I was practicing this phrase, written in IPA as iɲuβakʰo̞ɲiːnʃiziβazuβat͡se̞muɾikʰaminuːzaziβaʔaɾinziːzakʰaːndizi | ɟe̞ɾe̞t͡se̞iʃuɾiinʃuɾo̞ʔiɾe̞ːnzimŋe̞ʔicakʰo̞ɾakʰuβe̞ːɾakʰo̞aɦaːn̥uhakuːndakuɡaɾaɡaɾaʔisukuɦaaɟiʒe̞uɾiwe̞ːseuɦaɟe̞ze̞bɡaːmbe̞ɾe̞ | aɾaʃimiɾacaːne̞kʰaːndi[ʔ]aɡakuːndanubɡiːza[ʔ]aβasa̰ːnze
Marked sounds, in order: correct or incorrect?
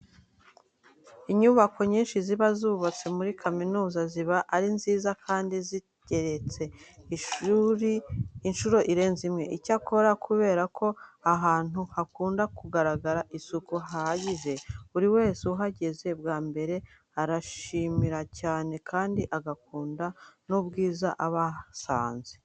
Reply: correct, correct

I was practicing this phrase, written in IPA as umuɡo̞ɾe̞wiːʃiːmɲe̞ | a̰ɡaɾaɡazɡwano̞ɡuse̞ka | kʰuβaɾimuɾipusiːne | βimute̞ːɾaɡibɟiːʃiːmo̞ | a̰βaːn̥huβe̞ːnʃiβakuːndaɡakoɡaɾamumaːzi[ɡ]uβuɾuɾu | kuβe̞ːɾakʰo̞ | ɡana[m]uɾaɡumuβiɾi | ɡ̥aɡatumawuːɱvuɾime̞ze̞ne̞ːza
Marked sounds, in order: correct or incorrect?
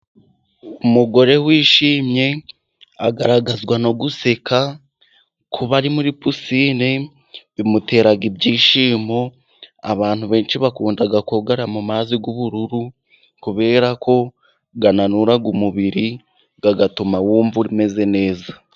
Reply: correct, incorrect: n

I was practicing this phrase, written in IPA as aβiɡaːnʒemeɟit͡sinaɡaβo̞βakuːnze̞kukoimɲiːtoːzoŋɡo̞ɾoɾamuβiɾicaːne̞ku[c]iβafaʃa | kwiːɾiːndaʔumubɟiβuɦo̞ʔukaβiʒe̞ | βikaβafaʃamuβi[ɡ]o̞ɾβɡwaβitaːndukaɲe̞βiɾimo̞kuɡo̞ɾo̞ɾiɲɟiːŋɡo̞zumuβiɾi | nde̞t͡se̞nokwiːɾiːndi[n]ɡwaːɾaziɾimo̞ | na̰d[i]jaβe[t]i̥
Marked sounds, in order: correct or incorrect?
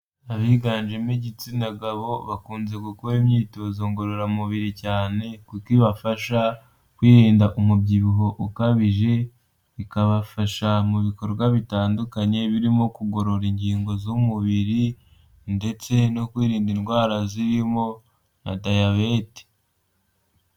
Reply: incorrect: k, incorrect: k, correct, incorrect: a, correct

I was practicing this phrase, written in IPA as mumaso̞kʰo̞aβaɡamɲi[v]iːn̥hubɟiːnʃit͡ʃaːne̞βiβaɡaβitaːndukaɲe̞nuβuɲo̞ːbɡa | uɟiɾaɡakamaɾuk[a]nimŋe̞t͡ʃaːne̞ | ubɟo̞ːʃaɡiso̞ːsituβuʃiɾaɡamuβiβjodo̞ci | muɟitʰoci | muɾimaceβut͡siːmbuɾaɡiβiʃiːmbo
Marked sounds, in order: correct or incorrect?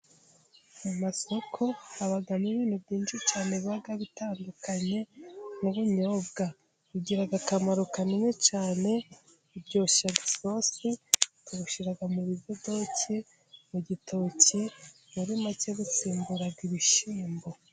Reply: incorrect: β, correct

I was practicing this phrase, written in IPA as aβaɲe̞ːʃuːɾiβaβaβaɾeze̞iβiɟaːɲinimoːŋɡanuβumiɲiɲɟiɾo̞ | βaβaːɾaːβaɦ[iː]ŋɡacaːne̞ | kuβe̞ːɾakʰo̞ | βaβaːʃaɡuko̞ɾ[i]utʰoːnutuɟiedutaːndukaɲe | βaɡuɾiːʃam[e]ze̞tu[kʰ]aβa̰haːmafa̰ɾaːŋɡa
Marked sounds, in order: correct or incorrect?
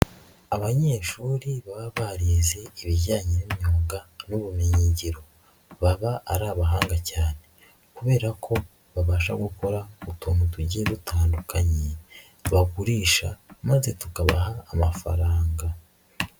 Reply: incorrect: aː, incorrect: a, incorrect: a, incorrect: k

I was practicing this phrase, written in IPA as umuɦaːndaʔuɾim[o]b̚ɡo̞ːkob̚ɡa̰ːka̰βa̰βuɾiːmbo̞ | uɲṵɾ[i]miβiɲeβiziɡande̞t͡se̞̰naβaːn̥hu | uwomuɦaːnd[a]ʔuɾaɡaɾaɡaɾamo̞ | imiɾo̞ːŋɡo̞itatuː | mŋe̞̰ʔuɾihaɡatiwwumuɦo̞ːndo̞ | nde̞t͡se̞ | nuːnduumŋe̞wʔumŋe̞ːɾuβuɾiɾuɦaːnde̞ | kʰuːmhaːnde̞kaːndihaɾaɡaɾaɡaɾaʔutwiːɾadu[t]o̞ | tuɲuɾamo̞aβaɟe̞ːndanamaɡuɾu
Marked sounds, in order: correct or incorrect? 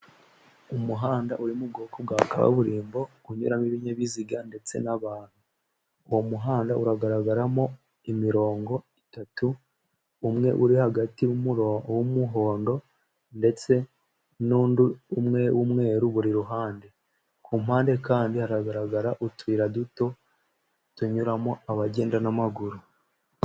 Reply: incorrect: u, incorrect: a, correct, correct

